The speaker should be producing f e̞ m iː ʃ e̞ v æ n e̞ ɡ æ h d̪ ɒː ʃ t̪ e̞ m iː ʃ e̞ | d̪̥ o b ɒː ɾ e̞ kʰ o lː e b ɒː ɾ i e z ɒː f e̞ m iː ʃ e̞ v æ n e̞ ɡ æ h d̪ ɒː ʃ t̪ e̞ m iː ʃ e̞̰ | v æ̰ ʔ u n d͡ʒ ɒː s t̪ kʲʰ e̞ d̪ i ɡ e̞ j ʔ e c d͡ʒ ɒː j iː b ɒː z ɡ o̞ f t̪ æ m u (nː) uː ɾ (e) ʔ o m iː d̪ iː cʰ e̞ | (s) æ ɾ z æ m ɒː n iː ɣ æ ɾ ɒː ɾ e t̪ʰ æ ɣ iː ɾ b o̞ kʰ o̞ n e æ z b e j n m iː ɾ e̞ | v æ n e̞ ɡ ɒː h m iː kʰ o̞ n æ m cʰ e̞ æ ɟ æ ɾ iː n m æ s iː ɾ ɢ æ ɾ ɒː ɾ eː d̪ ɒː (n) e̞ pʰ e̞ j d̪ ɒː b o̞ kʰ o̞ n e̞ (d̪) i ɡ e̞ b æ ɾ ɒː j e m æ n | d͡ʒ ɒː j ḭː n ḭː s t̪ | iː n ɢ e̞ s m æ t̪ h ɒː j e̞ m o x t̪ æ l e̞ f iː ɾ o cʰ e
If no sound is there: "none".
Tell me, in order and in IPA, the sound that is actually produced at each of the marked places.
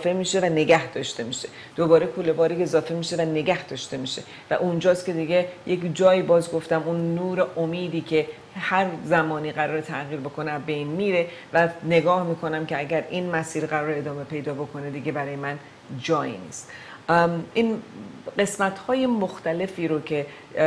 nː, e, h, m, d̪

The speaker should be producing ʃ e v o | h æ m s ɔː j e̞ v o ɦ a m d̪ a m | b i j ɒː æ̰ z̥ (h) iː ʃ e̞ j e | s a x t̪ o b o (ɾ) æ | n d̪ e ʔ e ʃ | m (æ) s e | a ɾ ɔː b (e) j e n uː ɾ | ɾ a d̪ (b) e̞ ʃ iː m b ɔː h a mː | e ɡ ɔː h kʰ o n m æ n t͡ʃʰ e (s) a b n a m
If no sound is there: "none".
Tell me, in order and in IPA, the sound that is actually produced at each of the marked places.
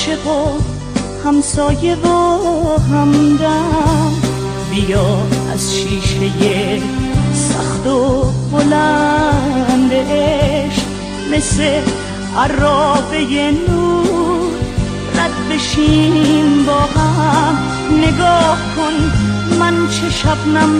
ʃ, l, e, e, b, ʃ

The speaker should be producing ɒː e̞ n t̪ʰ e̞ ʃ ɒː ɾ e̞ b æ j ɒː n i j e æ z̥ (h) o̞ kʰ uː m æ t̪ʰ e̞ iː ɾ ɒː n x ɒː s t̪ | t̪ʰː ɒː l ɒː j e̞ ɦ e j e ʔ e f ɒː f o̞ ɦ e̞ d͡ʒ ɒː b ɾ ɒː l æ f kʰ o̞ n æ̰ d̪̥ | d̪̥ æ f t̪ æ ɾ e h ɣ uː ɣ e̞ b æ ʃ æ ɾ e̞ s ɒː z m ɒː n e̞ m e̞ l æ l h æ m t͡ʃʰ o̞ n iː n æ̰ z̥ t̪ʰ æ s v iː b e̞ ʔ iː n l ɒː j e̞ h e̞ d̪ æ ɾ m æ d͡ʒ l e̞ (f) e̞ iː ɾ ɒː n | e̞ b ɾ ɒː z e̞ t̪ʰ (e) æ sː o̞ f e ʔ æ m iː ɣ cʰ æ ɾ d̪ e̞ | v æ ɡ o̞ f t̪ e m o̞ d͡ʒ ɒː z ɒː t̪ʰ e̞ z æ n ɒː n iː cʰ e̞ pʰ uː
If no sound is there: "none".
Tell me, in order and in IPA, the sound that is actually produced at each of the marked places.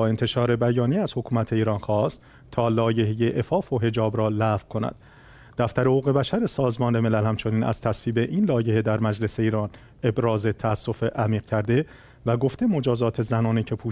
h, s, æ

